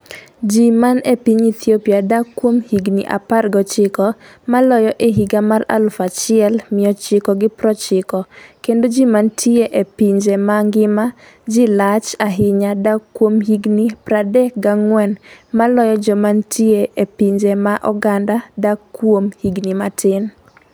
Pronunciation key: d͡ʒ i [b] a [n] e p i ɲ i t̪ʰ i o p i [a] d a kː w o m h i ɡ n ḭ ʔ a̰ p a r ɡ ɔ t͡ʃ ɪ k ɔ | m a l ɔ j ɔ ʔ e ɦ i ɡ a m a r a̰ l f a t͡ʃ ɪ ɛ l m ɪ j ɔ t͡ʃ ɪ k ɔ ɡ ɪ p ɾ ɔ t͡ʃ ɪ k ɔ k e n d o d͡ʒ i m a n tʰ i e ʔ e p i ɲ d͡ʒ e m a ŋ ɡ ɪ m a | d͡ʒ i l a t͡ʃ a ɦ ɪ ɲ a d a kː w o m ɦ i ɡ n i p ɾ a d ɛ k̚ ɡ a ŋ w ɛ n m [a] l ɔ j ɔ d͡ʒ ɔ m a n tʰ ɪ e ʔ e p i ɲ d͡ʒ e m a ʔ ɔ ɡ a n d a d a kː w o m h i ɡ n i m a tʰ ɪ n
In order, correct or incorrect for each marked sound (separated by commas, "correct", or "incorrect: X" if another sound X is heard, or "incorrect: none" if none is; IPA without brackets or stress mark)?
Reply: incorrect: m, correct, correct, correct